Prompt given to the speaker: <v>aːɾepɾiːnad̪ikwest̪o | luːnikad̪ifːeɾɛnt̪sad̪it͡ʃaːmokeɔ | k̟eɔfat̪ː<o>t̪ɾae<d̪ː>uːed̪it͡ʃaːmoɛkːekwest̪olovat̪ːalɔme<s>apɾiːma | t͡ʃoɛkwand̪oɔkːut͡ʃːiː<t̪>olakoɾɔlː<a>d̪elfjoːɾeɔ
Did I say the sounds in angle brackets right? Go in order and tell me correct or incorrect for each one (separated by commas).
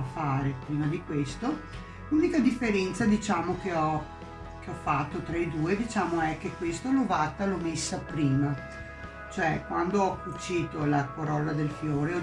incorrect, correct, incorrect, incorrect, correct, correct